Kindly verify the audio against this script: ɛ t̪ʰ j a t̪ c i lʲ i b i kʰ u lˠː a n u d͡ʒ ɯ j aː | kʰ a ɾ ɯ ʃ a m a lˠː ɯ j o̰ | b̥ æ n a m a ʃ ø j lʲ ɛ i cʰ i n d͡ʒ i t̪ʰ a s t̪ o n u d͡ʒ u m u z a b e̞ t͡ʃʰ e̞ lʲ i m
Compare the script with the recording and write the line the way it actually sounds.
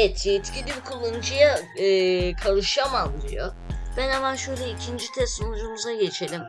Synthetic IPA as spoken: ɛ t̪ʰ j ɛ t̪ c i lʲ i b i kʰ u lˠː a n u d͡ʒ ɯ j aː | kʰ a ɾ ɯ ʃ a m a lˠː ɯ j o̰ | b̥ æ n a m a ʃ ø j lʲ ɛ i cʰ i n d͡ʒ i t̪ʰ ɛ s t̪ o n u d͡ʒ u m u z a ɟ e̞ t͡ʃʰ e̞ lʲ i m